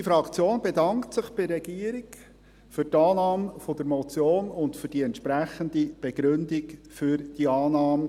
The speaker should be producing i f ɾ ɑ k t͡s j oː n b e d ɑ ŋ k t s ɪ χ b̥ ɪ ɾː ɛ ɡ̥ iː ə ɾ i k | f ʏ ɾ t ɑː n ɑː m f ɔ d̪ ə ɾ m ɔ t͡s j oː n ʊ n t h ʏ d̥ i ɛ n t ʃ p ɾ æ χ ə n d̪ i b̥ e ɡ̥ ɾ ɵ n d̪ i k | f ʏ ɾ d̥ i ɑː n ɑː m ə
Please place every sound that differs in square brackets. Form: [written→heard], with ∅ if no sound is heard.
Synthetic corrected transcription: i f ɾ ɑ k t͡s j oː n b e d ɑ ŋ k t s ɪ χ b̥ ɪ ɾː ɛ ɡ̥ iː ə ɾ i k | f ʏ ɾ t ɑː n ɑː m f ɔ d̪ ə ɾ m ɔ t͡s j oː n ʊ n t [h→f] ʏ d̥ i ɛ n t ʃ p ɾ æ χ ə n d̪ i b̥ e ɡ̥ ɾ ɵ n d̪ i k | f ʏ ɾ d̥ i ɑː n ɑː m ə